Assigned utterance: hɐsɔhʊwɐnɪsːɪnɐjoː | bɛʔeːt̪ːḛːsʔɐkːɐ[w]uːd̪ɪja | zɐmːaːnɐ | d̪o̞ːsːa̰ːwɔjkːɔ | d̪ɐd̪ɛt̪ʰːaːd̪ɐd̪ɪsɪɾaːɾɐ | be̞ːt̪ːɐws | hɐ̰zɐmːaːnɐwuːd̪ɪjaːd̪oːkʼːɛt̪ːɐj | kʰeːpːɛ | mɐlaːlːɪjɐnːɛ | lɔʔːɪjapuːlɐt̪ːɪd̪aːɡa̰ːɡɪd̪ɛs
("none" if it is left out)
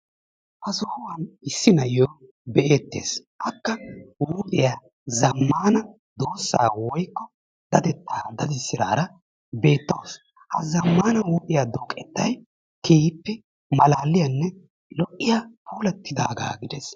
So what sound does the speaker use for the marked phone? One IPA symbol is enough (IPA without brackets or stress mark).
w